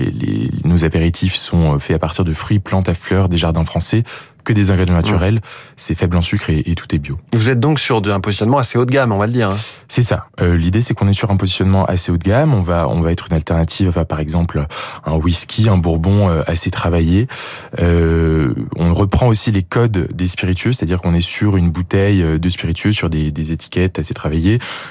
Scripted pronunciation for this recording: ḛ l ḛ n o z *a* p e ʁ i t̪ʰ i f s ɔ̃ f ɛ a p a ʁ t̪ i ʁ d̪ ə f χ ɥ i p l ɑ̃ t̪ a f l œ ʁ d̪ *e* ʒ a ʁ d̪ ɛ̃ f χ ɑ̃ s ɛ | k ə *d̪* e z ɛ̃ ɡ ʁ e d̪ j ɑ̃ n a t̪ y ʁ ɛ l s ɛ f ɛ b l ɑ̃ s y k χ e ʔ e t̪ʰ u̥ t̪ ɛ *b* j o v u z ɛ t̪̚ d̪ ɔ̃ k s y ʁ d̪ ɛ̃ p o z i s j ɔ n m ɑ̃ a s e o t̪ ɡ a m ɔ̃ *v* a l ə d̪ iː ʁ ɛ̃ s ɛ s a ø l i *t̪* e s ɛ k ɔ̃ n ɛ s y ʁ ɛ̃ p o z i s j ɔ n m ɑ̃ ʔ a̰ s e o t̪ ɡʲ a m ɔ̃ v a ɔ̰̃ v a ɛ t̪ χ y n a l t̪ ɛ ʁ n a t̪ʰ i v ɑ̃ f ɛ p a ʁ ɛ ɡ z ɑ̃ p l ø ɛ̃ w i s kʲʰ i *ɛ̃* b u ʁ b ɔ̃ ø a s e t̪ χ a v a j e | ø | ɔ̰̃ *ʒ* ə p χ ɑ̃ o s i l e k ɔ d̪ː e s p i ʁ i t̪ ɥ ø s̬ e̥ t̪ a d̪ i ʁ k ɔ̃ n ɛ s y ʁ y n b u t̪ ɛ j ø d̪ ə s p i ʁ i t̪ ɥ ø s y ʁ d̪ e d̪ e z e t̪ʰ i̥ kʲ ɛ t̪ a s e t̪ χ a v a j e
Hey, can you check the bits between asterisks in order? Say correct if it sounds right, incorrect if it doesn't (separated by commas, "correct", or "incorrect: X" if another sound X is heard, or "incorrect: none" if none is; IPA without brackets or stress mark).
correct, correct, correct, correct, correct, incorrect: d̪, correct, incorrect: ʁ